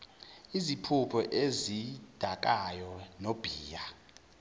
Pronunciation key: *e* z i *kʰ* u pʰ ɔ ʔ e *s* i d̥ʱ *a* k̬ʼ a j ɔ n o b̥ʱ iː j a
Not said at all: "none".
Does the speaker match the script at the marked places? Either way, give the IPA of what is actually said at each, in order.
i, pʰ, z, a

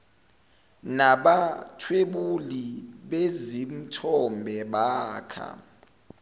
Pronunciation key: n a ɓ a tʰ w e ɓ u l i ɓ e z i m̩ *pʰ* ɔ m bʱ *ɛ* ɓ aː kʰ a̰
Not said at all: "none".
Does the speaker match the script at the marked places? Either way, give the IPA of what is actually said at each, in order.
tʰ, ɛ

